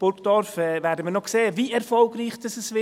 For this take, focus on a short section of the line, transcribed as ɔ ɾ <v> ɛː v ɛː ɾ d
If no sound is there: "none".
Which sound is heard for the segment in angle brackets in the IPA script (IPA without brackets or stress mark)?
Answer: f